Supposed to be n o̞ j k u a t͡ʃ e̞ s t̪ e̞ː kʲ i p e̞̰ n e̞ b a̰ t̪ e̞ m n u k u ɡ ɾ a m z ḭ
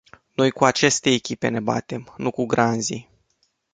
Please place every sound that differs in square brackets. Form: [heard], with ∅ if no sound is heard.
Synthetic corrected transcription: n o̞ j k u a t͡ʃ e̞ s t̪ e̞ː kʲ i p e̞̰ n e̞ b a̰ t̪ e̞ m n u k u ɡ ɾ a [n] z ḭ